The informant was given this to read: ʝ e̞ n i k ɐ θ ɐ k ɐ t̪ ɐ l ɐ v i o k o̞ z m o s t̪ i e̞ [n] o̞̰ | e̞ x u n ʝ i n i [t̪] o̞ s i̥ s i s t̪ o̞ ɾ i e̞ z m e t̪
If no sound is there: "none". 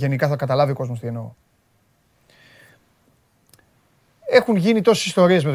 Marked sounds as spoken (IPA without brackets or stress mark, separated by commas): n, t̪